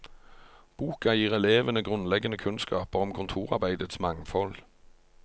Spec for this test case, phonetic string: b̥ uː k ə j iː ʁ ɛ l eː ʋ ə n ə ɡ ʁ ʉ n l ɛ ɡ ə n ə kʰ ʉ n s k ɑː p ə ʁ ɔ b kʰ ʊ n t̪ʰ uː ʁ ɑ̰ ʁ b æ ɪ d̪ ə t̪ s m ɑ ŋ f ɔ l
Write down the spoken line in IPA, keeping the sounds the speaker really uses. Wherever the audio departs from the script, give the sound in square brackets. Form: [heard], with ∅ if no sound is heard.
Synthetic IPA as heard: b̥ uː k [ɑ] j iː ʁ ɛ l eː ʋ ə n ə ɡ ʁ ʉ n l ɛ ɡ ə n ə kʰ ʉ n s k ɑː p ə ʁ ɔ [m] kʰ ʊ n t̪ʰ uː ʁ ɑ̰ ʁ b æ ɪ d̪ ə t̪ s m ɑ ŋ f ɔ l